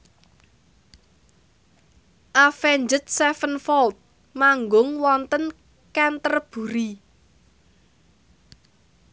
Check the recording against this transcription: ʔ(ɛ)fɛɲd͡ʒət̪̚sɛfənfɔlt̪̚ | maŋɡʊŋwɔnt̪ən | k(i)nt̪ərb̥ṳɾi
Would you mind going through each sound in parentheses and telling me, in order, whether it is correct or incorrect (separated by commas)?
incorrect, incorrect